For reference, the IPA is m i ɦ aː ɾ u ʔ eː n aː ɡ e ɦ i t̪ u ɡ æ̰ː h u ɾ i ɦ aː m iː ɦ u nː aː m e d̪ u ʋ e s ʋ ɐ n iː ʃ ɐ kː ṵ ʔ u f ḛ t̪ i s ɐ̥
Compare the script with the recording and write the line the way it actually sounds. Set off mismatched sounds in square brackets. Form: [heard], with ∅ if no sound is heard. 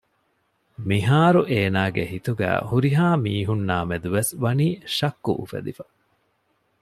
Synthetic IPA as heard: m i ɦ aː ɾ u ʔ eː n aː ɡ e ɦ i t̪ u ɡ æ̰ː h u ɾ i ɦ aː m iː ɦ u nː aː m e d̪ u ʋ e s ʋ ɐ n iː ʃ ɐ kː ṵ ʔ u f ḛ [d̪] i [f] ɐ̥